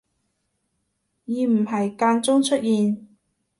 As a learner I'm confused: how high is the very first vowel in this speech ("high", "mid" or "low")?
high